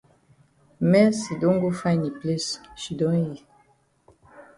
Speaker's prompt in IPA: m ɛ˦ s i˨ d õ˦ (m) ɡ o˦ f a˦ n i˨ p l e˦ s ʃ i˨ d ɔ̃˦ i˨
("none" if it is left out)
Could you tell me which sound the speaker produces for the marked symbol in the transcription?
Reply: ŋ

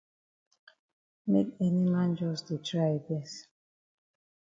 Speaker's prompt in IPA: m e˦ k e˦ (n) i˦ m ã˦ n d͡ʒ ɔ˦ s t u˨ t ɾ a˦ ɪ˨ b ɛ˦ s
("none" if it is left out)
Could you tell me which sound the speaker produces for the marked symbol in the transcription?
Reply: n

